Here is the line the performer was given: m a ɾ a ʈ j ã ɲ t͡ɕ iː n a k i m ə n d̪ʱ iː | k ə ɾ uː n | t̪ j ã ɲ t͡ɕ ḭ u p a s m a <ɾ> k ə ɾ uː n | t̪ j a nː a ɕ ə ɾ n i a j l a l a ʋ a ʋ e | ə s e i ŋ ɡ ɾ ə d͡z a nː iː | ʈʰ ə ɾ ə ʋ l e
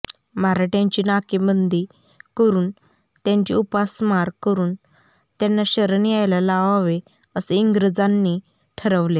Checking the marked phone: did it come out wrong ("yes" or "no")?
no